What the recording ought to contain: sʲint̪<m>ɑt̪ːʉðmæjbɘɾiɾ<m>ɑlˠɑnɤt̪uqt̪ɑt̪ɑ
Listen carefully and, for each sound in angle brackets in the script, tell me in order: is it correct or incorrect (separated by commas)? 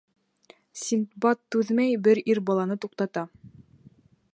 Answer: incorrect, incorrect